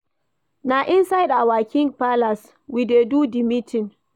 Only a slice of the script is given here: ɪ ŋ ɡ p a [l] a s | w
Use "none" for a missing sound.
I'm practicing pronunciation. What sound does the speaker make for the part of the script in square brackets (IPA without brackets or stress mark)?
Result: l